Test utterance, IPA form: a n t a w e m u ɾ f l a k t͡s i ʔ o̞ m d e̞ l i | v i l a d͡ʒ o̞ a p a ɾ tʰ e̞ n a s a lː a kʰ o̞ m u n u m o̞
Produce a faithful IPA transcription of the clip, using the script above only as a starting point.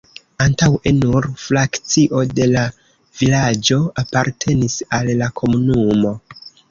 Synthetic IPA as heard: a n t a w e n u ɾ f l a k t͡s i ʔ o̞ d e̞ l a | v i l a d͡ʒ o̞ a p a ɾ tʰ e̞ n i s a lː a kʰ o̞ m u n u m o̞